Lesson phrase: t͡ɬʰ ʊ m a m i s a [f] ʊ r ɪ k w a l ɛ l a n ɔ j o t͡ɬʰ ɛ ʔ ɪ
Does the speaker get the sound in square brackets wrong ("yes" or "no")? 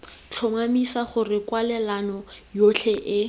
yes